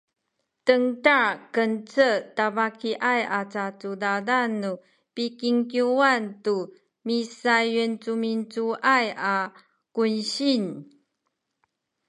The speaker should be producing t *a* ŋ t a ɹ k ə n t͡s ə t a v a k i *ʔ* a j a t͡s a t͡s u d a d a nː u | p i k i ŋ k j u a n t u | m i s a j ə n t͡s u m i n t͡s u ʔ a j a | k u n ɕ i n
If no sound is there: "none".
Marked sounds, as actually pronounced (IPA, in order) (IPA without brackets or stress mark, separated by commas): ə, ʔ